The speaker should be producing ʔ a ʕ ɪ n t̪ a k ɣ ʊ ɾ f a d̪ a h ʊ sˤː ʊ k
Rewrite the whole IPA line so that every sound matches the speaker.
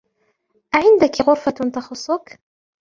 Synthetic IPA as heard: ʔ a ʕ ɪ n d̪ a k ɣ ʊ ɾ f a t̪ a x ʊ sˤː ʊ k